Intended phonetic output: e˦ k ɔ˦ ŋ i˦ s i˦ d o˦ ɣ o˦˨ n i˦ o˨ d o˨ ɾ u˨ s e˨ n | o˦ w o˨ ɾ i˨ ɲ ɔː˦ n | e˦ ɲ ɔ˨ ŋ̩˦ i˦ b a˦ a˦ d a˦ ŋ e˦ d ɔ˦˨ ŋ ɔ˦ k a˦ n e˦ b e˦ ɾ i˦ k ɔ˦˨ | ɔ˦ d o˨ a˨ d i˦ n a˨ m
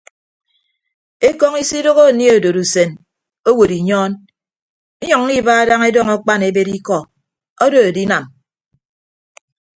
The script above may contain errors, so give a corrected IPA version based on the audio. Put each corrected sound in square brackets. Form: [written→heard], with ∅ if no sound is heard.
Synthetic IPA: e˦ k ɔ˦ ŋ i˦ s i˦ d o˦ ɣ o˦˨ n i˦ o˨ d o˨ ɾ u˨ s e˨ n | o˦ w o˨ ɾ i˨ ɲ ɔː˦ n | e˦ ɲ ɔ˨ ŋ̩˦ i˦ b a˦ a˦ d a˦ ŋ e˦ d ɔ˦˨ ŋ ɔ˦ [k→k͡p] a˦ n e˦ b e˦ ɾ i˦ k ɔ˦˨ | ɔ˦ d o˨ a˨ d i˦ n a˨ m